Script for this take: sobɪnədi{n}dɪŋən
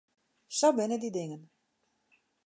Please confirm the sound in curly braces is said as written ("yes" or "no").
no